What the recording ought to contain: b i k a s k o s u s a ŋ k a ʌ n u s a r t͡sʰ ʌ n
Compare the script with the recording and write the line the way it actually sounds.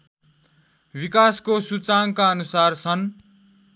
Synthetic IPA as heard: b i k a s k o s u t͡s a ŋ k a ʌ n u s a r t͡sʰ ʌ n